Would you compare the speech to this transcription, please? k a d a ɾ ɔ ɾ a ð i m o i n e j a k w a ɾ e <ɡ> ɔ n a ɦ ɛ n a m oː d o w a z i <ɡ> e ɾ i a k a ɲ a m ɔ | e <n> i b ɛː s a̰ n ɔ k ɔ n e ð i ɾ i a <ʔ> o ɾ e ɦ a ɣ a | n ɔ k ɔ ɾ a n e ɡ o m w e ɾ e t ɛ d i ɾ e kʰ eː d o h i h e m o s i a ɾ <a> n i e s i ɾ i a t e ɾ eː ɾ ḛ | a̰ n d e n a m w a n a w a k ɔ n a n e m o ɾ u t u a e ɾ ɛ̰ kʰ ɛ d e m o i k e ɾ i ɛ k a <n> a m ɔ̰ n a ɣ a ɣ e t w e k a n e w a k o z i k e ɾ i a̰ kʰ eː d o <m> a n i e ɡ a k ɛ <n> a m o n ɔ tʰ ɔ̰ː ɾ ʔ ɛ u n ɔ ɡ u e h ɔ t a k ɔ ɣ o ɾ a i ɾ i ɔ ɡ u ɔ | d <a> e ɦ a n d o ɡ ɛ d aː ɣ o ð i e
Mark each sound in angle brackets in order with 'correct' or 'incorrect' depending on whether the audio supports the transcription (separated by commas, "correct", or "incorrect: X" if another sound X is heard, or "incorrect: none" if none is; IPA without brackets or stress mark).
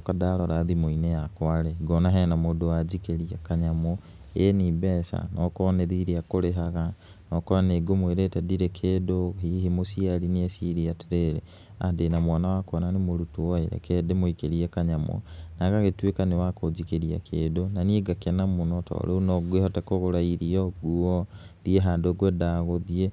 correct, incorrect: k, correct, incorrect: k, incorrect: i, incorrect: ɲ, incorrect: n, correct, incorrect: i